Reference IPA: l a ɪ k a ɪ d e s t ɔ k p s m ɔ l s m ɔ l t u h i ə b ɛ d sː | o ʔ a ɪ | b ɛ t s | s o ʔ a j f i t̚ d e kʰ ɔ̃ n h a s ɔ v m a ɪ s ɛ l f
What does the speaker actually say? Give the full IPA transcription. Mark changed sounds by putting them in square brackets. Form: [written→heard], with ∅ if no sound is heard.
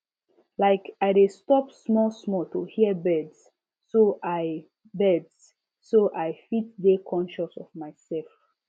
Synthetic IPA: l a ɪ k a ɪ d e s t ɔ [k→∅] p s m ɔ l s m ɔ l t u h i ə b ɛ d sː | o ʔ a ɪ | b ɛ [t→d] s | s o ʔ a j f i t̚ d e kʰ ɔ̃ n [h→ʃ] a s ɔ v m a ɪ s ɛ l f